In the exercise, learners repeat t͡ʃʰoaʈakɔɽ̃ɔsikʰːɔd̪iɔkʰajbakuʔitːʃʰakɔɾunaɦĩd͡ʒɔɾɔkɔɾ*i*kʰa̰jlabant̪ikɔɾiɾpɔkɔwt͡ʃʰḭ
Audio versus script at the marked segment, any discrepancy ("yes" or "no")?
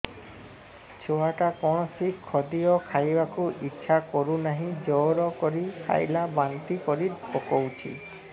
no